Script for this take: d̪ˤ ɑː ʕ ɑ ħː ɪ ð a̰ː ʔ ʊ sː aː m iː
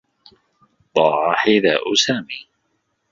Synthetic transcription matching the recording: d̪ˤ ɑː ʕ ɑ ħ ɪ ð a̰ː ʔ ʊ s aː m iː